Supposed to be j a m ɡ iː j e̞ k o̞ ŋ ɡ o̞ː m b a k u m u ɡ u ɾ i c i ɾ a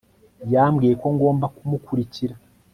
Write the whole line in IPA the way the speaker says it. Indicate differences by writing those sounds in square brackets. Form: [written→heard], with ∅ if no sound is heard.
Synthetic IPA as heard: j a m ɡ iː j e̞ k o̞ ŋ ɡ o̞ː m b a k u m u [ɡ→k] u ɾ i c i ɾ a